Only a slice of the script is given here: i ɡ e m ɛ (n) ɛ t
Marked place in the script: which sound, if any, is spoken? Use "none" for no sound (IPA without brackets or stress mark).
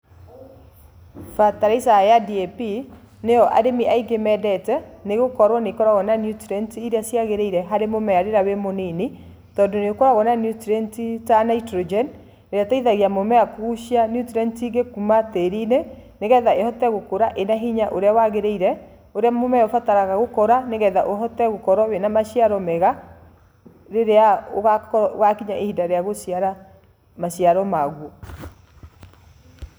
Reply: d